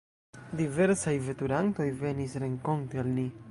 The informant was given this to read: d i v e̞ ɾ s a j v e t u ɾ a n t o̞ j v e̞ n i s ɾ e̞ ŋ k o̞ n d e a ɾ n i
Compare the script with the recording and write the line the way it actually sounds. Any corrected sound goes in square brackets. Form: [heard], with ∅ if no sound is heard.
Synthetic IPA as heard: d i v e̞ ɾ s a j v e t u ɾ a n t o̞ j v e̞ n i s ɾ e̞ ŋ k o̞ n [t] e a [l] n i